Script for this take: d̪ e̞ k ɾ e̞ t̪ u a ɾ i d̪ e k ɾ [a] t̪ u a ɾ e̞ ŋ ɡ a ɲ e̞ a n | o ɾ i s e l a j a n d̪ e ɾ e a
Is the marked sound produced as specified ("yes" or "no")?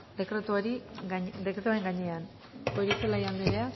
no